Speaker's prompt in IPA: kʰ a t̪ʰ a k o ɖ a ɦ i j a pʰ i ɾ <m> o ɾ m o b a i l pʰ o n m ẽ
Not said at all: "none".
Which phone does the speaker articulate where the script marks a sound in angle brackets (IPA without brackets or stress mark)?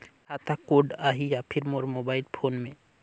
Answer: m